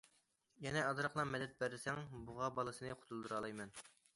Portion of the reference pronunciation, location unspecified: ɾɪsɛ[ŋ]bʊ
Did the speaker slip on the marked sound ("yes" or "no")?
no